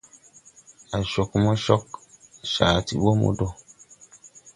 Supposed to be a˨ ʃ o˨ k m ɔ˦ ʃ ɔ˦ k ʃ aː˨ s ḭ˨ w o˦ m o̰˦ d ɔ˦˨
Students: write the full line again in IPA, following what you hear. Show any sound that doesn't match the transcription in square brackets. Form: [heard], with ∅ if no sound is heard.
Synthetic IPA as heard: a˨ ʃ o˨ k m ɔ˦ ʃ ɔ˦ k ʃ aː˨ [t] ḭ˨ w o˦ m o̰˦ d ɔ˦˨